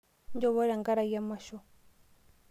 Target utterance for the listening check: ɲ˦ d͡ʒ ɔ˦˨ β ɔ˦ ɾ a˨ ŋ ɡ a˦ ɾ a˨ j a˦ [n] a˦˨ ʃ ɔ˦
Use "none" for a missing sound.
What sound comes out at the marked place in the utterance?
m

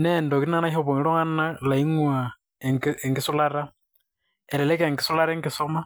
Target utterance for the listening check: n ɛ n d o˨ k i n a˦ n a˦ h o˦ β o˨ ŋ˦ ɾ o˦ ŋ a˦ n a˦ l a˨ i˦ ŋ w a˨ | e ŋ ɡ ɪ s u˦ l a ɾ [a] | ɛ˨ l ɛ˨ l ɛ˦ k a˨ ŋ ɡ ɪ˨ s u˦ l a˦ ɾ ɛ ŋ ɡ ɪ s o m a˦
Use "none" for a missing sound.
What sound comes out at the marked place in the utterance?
a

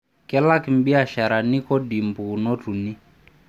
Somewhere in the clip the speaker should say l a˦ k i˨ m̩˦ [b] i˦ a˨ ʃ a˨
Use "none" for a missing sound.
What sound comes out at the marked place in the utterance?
b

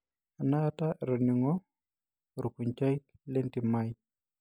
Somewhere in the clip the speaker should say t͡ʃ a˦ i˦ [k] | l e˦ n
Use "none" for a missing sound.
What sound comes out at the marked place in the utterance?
k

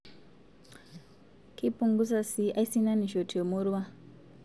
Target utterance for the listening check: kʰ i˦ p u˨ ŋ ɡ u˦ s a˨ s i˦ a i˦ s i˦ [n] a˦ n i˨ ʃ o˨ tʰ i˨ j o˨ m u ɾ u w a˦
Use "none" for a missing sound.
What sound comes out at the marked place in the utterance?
n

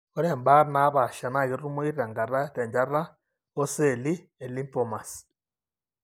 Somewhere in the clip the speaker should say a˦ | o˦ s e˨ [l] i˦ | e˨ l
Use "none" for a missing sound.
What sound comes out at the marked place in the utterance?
l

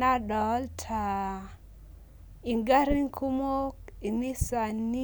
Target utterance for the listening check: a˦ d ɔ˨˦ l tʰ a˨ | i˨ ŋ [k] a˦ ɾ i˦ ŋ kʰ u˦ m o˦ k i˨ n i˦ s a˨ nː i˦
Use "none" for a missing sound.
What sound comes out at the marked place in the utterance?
ɡ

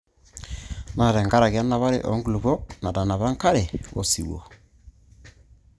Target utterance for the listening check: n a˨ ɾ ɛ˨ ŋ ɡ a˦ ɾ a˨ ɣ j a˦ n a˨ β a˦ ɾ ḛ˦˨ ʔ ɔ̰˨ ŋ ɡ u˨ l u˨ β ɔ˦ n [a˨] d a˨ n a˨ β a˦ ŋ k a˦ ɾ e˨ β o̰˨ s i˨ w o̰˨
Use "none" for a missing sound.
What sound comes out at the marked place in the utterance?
a˨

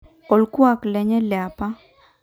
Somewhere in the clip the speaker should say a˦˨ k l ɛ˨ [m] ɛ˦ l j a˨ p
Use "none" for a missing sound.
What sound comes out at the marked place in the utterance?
ɲ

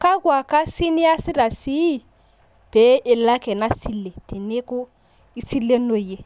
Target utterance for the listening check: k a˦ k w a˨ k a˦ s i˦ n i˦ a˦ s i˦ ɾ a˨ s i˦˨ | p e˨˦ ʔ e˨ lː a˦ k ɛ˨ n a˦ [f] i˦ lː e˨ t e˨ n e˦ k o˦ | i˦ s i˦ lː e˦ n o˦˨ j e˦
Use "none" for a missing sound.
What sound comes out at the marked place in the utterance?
s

